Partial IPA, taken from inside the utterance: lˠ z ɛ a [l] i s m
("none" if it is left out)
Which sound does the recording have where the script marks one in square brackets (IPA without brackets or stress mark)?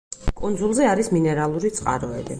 ɾ